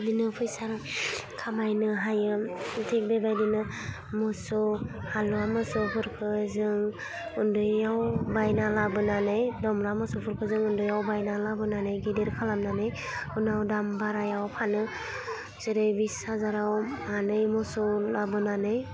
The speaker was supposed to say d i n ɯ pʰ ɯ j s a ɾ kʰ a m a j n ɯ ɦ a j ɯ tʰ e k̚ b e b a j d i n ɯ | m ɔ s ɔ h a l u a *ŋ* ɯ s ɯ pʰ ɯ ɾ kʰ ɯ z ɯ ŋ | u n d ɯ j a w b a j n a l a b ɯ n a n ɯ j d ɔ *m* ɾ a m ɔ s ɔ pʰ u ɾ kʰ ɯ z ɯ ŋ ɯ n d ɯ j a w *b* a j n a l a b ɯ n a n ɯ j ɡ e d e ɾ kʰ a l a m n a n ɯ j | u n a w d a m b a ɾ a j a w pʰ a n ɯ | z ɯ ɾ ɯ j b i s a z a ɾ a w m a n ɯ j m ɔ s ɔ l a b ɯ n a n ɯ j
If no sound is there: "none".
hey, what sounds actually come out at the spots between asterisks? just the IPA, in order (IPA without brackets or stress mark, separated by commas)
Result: m, m, b